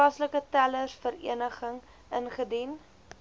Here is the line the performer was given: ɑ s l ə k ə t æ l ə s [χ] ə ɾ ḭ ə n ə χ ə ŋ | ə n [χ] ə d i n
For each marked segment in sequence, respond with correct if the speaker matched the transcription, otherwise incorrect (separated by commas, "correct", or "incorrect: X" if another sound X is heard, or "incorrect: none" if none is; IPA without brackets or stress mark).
incorrect: f, correct